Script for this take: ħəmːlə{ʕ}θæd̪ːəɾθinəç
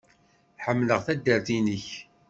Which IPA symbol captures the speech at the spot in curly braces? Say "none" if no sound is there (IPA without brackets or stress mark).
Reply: ʁ